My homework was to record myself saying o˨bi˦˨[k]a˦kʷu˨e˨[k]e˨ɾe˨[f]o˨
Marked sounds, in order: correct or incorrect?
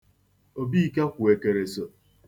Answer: correct, correct, incorrect: s

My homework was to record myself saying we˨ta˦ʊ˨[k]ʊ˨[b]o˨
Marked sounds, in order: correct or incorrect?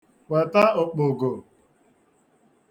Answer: incorrect: k͡p, incorrect: ɡ

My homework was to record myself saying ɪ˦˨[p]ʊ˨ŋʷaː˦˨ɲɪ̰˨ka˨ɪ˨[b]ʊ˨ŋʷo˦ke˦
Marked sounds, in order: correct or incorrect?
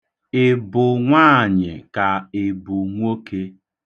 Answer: incorrect: b, correct

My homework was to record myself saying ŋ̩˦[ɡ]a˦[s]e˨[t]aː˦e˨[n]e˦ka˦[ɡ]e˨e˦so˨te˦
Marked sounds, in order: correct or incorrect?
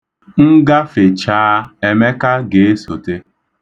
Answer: correct, incorrect: f, incorrect: t͡ʃ, incorrect: m, correct

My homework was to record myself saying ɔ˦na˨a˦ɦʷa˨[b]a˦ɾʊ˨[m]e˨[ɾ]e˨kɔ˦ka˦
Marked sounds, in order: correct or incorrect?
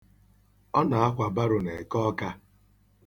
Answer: correct, incorrect: n, incorrect: none

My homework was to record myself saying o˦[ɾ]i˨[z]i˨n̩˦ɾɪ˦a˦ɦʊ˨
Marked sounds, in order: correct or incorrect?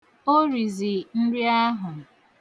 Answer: correct, correct

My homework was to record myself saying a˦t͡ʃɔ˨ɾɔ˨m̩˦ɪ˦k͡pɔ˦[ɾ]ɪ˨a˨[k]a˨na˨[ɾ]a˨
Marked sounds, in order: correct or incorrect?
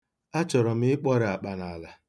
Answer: correct, incorrect: k͡p, incorrect: l

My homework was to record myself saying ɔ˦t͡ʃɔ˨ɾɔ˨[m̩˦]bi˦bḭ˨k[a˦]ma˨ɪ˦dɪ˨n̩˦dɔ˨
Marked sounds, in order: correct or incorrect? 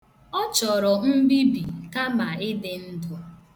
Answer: correct, correct

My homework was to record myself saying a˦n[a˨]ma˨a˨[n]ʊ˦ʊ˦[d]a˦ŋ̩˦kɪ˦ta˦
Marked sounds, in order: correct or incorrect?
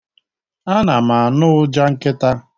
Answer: correct, correct, incorrect: d͡ʒ

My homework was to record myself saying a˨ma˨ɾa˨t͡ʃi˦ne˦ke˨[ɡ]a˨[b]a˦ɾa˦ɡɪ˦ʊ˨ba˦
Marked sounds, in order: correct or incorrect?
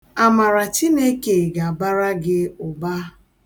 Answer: correct, correct

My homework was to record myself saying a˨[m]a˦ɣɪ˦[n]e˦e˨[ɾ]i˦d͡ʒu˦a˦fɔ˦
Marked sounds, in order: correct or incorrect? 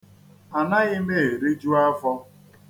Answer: incorrect: n, incorrect: m, correct

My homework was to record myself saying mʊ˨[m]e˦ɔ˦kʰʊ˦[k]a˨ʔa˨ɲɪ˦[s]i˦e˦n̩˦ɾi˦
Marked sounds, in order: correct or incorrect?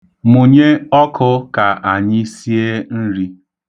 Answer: incorrect: ɲ, correct, correct

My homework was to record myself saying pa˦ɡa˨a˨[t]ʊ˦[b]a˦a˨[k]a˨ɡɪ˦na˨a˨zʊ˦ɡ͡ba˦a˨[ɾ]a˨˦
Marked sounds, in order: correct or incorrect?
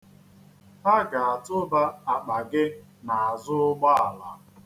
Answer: correct, correct, incorrect: k͡p, incorrect: l

